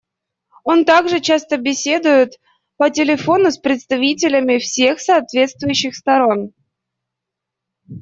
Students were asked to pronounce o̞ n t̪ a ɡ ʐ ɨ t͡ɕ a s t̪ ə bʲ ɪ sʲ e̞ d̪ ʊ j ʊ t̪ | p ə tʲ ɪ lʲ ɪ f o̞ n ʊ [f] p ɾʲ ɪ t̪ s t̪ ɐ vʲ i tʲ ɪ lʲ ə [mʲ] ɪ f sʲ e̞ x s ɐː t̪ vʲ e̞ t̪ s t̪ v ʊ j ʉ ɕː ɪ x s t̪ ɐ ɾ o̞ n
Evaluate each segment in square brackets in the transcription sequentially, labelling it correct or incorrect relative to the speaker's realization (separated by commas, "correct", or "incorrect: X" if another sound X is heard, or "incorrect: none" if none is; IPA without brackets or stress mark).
incorrect: s, correct